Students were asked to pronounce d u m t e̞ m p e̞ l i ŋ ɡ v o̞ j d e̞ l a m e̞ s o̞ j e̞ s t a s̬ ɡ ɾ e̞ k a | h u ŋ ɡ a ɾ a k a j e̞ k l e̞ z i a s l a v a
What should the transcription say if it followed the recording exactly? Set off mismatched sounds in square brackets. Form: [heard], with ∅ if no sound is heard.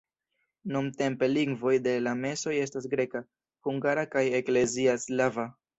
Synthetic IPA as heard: [n] u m t e̞ m p e̞ l i ŋ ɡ v o̞ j d e̞ l a m e̞ s o̞ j e̞ s t a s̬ ɡ ɾ e̞ k a | h u ŋ ɡ a ɾ a k a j e̞ k l e̞ z i a s l a v a